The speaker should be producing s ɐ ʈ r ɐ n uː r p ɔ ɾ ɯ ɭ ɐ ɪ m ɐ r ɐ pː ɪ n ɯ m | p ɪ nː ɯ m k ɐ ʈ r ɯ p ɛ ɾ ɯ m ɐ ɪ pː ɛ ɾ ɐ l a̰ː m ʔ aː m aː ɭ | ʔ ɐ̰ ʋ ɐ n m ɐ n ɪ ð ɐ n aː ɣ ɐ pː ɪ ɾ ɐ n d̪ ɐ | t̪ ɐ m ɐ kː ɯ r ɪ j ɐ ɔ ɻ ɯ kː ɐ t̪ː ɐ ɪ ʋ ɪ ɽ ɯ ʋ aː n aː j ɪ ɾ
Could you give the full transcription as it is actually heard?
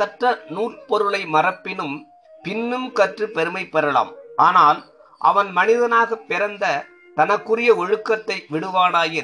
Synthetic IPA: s ɐ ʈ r ɐ n uː r p ɔ ɾ ɯ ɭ ɐ ɪ m ɐ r ɐ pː ɪ n ɯ m | p ɪ nː ɯ m k ɐ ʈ r ɯ p ɛ ɾ ɯ m ɐ ɪ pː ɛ ɾ ɐ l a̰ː m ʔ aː n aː l | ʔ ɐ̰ ʋ ɐ n m ɐ n ɪ ð ɐ n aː ɣ ɐ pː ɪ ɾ ɐ n d̪ ɐ | t̪ ɐ n ɐ kː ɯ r ɪ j ɐ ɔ ɻ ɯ kː ɐ t̪ː ɐ ɪ ʋ ɪ ɽ ɯ ʋ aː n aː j ɪ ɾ